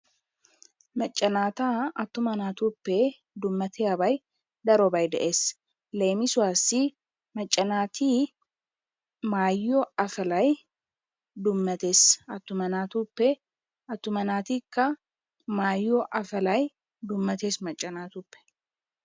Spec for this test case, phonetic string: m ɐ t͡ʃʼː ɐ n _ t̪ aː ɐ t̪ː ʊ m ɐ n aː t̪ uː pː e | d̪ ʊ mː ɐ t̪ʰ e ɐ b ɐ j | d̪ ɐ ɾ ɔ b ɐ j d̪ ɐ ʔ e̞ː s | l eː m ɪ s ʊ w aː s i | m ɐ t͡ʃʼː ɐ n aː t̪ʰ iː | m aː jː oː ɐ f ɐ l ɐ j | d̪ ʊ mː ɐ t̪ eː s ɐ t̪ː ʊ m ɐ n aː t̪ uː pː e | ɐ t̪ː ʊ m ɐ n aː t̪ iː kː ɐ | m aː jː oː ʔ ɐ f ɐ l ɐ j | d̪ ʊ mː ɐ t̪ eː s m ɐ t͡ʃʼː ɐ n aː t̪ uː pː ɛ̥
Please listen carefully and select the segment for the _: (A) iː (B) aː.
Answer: B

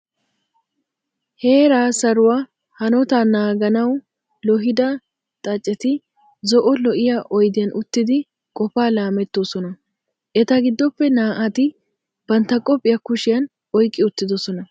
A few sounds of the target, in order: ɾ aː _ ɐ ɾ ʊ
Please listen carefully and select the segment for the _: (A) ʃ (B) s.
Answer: B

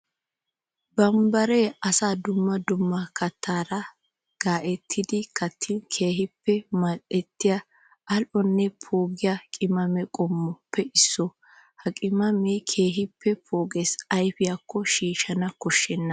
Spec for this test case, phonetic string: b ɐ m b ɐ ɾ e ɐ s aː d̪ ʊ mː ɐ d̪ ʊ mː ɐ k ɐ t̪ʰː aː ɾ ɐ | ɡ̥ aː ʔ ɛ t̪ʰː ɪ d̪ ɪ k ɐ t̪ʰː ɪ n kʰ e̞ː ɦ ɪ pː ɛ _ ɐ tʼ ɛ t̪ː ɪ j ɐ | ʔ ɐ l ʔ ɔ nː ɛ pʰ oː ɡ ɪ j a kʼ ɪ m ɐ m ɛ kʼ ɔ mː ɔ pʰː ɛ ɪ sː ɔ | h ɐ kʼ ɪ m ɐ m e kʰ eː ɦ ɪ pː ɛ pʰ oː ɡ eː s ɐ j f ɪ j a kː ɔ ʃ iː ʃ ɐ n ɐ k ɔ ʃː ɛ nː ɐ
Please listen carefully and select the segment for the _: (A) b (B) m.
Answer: B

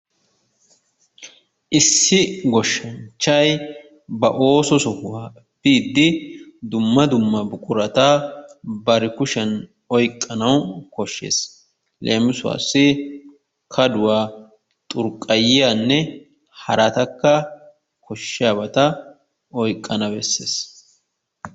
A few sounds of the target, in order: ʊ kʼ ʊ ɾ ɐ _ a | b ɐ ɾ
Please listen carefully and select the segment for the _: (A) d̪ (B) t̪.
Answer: B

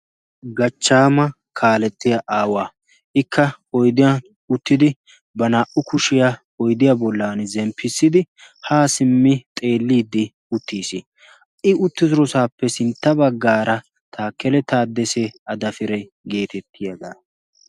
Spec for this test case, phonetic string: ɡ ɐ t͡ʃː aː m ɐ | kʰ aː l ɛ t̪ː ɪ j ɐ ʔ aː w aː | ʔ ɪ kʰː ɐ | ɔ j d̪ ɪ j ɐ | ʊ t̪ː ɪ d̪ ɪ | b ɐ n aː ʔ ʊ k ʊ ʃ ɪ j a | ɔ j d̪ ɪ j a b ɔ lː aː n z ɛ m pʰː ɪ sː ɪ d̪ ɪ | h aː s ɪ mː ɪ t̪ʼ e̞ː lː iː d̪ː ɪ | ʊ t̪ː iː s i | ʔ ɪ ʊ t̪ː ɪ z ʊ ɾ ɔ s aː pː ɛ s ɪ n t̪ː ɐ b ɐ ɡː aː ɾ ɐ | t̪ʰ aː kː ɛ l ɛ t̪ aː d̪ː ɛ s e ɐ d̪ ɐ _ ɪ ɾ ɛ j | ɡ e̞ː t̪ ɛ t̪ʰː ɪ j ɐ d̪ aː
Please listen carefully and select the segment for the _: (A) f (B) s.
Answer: A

